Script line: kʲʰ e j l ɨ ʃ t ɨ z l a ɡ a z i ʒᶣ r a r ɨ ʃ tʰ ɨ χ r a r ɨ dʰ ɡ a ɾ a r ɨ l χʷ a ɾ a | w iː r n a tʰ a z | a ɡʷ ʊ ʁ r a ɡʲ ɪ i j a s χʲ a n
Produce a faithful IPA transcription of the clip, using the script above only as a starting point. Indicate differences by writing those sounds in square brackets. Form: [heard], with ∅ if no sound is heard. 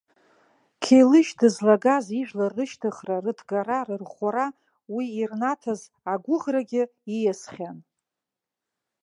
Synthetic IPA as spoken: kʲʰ e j l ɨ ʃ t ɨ z l a ɡ a z i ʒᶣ [l] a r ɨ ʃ tʰ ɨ χ r a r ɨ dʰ ɡ a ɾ a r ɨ [r] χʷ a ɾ a | w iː r n a tʰ a z | a ɡʷ ʊ ʁ r a ɡʲ ɪ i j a s χʲ a n